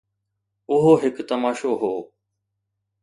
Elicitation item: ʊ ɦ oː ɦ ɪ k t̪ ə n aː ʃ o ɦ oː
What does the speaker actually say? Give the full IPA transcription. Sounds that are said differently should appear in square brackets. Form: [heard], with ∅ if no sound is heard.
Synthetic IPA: ʊ ɦ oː ɦ ɪ k t̪ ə [m] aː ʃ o ɦ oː